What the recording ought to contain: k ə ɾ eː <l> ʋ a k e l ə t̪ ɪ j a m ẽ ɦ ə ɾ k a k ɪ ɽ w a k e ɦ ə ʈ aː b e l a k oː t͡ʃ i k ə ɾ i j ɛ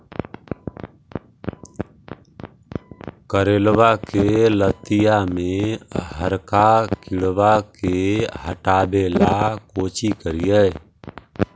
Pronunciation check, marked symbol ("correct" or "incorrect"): correct